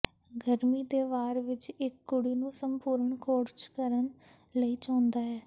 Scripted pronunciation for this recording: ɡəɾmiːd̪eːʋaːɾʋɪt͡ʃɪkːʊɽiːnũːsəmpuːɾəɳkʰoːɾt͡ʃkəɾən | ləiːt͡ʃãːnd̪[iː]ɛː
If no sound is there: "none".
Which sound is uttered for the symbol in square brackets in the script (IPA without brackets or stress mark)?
aː